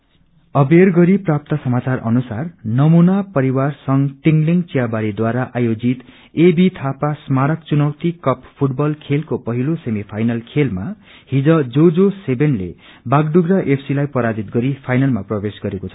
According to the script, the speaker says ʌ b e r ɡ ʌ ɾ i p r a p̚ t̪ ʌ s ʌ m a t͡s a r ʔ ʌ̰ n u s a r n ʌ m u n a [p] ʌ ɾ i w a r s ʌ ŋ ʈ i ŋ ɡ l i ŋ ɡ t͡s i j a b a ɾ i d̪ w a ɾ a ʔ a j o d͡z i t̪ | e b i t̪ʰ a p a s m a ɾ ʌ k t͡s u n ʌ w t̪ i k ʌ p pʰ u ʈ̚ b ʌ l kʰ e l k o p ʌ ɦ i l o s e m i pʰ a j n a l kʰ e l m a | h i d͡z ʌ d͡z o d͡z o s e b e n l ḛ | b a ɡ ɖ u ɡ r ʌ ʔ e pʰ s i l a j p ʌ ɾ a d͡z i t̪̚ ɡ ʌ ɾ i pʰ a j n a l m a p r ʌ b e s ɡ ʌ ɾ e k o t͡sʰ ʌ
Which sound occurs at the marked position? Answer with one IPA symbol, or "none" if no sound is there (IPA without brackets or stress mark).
p